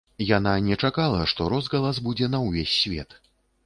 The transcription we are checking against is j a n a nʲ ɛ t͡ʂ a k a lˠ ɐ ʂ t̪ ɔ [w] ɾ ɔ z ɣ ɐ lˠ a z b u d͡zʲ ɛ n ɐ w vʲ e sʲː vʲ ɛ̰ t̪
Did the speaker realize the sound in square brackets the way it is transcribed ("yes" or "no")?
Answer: no